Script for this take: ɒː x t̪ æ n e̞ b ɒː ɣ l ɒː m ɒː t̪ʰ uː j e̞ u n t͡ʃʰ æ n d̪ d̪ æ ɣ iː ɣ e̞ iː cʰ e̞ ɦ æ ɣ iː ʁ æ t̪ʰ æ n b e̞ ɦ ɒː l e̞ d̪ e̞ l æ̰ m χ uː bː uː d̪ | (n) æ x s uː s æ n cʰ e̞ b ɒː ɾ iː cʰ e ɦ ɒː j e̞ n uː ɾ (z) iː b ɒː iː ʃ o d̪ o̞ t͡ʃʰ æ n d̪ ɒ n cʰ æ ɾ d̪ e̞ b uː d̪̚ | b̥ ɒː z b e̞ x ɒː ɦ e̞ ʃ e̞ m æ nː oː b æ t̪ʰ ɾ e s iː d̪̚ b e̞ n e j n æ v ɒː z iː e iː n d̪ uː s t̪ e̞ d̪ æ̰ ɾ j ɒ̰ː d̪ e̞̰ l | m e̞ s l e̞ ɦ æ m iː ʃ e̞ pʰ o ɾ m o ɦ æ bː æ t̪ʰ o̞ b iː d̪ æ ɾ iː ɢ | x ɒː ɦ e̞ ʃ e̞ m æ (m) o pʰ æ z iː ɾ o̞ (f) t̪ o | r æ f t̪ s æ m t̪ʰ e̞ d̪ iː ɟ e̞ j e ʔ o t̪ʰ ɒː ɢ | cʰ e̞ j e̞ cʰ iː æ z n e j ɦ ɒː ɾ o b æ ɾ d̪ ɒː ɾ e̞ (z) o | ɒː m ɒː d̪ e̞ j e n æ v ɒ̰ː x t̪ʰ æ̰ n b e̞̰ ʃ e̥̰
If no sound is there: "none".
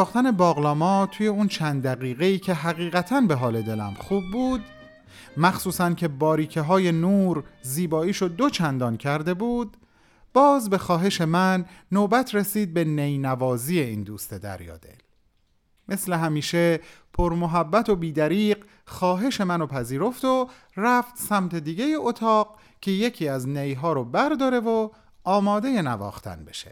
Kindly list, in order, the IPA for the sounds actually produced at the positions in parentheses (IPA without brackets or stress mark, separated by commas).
m, z, n, f, v